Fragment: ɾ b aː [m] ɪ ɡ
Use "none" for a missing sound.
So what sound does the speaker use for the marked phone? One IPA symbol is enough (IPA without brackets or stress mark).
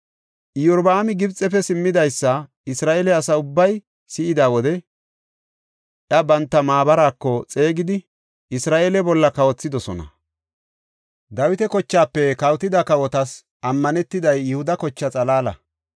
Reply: m